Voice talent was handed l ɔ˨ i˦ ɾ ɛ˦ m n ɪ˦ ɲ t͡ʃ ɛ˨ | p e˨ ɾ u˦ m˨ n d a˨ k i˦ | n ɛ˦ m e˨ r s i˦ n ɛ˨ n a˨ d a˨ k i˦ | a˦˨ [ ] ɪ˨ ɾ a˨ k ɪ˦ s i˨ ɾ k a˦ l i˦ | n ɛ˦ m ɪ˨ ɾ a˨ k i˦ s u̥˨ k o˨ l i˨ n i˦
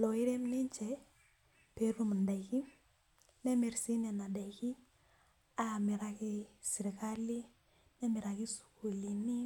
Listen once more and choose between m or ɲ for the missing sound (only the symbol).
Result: m